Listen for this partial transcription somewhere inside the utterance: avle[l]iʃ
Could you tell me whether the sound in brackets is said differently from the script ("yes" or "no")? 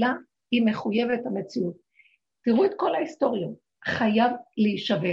yes